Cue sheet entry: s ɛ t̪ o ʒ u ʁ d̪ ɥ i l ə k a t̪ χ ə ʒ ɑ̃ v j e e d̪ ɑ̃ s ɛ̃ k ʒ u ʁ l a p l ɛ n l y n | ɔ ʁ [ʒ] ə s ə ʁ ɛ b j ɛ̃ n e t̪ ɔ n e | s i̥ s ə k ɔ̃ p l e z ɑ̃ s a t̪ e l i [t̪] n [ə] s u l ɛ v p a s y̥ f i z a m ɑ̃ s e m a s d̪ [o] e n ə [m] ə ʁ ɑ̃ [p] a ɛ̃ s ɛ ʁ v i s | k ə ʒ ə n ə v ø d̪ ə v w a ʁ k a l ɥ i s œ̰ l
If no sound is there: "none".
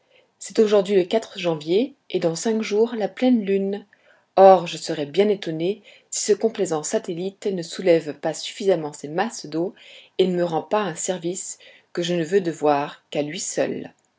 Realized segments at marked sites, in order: ʒ, t̪, ə, o, m, p

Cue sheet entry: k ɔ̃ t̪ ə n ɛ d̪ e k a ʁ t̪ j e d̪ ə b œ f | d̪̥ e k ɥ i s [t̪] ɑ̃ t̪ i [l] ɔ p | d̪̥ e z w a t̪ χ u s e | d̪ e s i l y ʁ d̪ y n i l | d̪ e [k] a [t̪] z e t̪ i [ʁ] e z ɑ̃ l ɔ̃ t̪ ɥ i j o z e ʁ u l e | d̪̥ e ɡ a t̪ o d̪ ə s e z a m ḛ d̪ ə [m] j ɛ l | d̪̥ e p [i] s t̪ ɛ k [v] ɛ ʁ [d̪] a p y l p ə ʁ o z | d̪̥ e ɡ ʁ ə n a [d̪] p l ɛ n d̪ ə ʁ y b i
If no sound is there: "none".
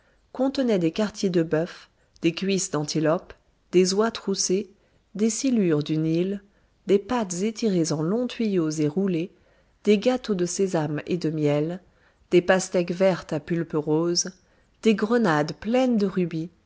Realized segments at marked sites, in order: d̪, l, p, t̪, ʁ, m, a, v, t̪, d̪

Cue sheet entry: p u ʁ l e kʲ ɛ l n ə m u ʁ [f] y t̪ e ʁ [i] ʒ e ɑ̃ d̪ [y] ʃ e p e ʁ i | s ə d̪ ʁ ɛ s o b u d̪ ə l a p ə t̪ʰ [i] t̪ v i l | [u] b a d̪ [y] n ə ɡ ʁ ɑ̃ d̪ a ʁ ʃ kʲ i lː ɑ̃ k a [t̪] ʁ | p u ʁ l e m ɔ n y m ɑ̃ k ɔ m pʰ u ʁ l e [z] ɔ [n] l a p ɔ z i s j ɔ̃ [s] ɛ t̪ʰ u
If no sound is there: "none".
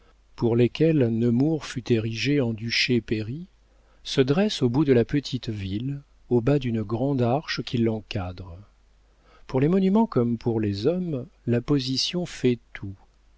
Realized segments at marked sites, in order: f, i, y, i, o, y, d̪, z, m, f

